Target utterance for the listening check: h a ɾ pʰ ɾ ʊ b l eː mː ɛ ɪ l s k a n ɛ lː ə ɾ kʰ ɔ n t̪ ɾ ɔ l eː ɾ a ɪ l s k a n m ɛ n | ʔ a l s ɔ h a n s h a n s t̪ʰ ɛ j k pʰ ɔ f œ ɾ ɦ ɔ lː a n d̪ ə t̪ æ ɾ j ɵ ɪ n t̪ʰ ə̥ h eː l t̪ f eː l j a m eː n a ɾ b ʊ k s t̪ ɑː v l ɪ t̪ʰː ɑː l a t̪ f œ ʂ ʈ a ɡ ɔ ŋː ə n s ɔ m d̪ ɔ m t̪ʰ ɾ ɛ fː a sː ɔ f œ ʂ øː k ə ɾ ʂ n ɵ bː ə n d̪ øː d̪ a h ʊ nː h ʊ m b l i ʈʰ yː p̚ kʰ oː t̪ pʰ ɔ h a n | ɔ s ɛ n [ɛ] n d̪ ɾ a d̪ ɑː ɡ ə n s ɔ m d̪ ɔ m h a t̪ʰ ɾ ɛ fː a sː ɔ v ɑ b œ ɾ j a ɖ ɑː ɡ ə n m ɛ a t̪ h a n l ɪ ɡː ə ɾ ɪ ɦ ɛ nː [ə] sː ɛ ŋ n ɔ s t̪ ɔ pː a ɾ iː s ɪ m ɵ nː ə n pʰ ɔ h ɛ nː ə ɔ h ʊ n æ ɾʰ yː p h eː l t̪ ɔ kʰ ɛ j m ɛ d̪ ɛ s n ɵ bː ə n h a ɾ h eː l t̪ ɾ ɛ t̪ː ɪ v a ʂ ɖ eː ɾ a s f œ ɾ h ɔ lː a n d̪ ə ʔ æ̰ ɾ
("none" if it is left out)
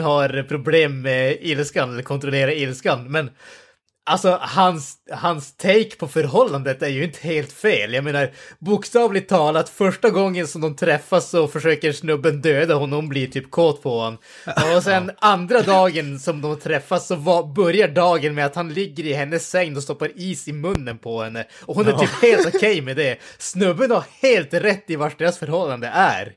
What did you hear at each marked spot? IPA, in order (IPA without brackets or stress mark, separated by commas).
a, ə